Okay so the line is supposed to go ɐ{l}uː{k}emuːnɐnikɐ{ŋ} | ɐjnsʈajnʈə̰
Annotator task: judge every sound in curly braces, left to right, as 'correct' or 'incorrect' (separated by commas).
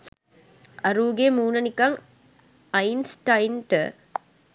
incorrect, incorrect, correct